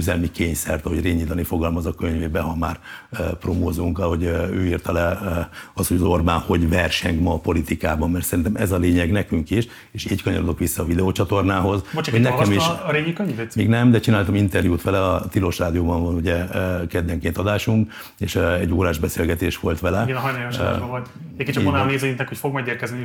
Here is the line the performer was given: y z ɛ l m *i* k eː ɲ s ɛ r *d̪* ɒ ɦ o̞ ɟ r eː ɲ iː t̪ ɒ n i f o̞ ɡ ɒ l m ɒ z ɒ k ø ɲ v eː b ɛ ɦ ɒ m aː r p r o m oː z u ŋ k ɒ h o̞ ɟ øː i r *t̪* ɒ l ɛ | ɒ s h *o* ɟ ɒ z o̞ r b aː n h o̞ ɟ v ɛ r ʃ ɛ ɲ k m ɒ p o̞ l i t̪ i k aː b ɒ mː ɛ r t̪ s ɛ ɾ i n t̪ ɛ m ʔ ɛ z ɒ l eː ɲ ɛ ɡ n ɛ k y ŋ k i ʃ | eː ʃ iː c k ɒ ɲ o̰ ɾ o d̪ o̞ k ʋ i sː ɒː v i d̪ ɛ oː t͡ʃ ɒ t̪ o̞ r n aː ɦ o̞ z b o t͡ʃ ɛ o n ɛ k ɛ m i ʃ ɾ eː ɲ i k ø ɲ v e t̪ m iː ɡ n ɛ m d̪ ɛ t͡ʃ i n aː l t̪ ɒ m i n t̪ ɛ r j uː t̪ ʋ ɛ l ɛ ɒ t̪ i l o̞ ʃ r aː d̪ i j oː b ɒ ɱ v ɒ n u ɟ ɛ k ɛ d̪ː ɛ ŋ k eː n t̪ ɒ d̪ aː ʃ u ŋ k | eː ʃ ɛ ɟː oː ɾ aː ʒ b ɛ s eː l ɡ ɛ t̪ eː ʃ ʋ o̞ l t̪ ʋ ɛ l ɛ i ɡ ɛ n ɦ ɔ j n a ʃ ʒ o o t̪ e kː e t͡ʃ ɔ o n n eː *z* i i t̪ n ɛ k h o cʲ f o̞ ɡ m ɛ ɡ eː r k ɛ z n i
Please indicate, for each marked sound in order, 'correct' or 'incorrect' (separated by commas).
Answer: correct, incorrect, correct, correct, correct